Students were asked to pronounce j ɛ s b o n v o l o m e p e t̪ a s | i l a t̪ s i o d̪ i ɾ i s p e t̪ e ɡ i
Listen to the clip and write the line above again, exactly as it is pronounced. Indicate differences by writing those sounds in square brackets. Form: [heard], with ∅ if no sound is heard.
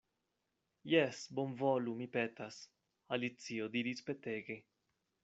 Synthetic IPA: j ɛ s b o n v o l [u] m [i] p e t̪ a s | [a] l [i] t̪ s i o d̪ i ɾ i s p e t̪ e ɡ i